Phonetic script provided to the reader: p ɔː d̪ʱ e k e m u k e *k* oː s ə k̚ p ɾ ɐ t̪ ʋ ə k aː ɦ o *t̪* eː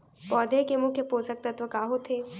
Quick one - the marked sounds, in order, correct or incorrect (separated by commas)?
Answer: incorrect, incorrect